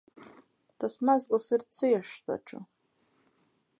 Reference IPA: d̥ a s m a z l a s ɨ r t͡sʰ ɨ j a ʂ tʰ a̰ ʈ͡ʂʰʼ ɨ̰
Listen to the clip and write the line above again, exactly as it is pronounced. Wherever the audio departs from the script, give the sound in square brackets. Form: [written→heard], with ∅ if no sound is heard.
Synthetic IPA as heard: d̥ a s m a z l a s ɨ r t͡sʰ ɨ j a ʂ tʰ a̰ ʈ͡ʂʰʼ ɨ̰